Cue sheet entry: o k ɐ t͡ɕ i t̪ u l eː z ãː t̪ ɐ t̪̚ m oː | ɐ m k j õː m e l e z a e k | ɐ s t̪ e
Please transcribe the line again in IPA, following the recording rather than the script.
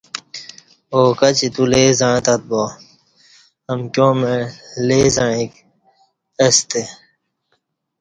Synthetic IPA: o k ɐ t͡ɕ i t̪ u l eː z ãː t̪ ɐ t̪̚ b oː | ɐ m k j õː m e l e z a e k | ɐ s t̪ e